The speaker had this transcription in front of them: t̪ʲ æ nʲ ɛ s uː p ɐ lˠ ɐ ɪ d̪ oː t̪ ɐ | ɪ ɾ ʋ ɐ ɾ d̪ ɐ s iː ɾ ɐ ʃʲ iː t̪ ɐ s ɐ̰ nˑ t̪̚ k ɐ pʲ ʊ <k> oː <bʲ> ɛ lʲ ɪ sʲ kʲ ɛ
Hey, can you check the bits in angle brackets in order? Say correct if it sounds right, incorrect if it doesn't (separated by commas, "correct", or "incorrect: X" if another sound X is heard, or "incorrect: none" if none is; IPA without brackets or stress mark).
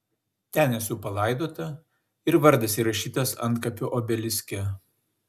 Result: incorrect: ʔ, correct